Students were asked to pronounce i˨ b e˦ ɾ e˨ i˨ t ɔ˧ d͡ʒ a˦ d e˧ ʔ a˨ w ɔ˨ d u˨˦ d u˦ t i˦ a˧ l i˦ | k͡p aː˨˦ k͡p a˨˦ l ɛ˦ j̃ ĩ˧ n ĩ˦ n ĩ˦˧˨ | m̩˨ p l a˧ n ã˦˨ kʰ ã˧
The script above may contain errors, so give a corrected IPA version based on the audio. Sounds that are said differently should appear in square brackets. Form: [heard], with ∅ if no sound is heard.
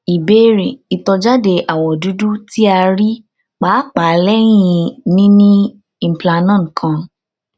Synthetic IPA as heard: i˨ b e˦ ɾ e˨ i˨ t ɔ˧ d͡ʒ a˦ d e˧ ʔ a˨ w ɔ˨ d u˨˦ d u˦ t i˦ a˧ [ɾ] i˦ | k͡p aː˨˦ k͡p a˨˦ l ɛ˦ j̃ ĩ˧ n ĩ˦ n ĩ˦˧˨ | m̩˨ p l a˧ n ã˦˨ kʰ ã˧